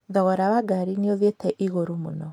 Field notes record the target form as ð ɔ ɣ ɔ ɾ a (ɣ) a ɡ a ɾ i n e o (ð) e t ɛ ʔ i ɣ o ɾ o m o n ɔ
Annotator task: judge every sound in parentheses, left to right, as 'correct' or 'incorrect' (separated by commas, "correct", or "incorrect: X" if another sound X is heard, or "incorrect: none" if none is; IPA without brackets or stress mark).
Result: incorrect: w, correct